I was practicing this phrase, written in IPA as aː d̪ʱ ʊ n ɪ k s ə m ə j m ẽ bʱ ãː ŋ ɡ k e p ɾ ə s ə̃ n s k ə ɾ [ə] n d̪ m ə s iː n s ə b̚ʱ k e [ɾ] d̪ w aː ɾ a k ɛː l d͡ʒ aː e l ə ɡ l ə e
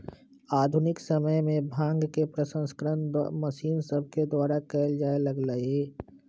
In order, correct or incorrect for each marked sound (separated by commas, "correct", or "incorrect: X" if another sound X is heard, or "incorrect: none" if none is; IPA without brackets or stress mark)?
correct, incorrect: none